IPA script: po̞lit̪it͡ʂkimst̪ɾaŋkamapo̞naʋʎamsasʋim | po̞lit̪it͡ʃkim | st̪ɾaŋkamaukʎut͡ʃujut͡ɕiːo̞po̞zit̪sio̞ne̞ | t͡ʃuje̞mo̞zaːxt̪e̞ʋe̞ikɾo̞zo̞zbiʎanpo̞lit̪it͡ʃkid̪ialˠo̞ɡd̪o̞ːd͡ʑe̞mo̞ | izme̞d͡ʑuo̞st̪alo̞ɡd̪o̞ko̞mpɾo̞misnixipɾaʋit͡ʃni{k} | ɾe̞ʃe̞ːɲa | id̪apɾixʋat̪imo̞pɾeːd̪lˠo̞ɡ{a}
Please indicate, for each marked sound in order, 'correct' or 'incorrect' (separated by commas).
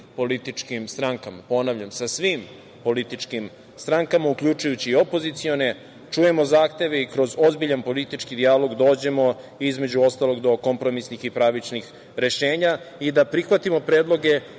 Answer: incorrect, incorrect